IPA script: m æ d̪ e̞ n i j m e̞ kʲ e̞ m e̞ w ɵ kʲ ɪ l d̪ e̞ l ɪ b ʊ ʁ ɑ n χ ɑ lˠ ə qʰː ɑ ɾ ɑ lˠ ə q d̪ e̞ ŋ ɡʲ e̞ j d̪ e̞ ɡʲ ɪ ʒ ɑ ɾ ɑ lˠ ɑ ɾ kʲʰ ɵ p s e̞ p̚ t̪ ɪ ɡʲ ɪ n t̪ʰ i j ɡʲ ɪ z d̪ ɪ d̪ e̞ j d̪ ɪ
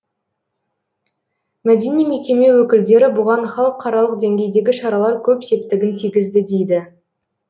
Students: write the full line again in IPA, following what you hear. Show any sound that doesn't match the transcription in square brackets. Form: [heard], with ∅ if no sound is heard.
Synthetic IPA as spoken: m æ d̪ e̞ n i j m e̞ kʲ e̞ m e̞ w ɵ kʲ ɪ l d̪ e̞ [ɾ] ɪ b ʊ ʁ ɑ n χ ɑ lˠ ə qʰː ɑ ɾ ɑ lˠ ə q d̪ e̞ ŋ ɡʲ e̞ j d̪ e̞ ɡʲ ɪ [ʃ] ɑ ɾ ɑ lˠ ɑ ɾ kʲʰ ɵ p s e̞ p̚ t̪ ɪ ɡʲ ɪ n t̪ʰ i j ɡʲ ɪ z d̪ ɪ d̪ e̞ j d̪ ɪ